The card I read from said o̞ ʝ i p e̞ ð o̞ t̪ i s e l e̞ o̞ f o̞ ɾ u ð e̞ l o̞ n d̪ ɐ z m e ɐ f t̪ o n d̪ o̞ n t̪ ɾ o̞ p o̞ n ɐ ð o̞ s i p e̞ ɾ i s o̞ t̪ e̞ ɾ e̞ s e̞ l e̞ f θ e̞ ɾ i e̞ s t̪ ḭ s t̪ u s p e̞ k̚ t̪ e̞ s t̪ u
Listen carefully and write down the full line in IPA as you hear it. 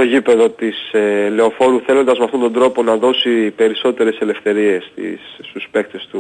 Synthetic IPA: o̞ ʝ i p e̞ ð o̞ t̪ i s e l e̞ o̞ f o̞ ɾ u θ e̞ l o̞ n d̪ ɐ z m e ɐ f t̪ o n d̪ o̞ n d̪ ɾ o̞ p o̞ n ɐ ð o̞ s i p e̞ ɾ i s o̞ t̪ e̞ ɾ e̞ s e̞ l e̞ f θ e̞ ɾ i e̞ s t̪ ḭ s t̪ u s p e̞ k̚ t̪ e̞ s t̪ u